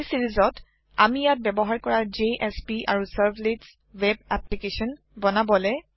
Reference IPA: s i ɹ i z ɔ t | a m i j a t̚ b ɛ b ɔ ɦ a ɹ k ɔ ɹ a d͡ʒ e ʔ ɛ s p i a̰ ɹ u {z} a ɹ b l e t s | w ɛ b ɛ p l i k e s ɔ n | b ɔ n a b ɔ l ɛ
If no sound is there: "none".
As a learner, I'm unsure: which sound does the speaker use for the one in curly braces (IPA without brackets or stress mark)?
s